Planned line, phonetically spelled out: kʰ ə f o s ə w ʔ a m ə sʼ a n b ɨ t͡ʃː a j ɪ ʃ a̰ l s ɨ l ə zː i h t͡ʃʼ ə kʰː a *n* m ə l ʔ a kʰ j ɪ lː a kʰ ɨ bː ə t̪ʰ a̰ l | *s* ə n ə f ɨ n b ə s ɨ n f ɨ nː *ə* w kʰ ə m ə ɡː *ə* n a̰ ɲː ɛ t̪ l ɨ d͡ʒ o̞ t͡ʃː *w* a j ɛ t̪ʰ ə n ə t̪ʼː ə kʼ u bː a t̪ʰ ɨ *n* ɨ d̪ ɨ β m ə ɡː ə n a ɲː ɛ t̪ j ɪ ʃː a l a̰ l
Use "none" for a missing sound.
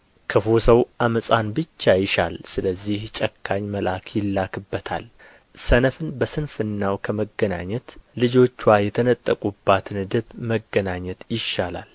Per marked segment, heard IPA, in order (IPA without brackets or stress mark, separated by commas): ɲ, s, a, ə, w, n